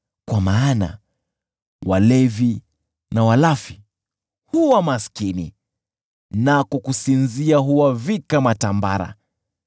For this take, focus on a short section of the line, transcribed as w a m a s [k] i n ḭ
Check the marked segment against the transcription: correct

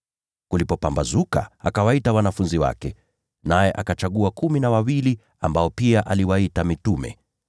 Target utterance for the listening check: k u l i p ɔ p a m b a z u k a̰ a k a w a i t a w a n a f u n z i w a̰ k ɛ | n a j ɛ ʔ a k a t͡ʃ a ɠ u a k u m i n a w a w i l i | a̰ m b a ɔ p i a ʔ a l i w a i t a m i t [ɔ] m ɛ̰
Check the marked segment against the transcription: incorrect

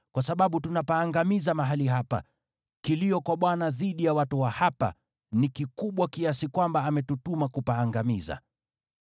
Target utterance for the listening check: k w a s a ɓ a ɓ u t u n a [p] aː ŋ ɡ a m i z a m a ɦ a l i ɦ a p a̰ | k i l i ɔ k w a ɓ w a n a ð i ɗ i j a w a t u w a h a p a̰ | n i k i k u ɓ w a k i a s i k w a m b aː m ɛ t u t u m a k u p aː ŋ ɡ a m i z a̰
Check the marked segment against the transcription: correct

